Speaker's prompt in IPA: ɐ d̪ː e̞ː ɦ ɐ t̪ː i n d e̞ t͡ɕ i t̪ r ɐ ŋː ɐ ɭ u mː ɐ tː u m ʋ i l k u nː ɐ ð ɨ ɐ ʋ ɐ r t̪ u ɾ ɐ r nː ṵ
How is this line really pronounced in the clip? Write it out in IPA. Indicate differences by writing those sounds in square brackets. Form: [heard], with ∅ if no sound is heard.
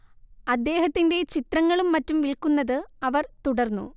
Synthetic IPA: ɐ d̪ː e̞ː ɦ ɐ t̪ː i n d e̞ t͡ɕ i t̪ r ɐ ŋː ɐ ɭ u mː ɐ tː u m ʋ i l k u nː ɐ ð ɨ ɐ ʋ ɐ r t̪ u [ɽ] ɐ r nː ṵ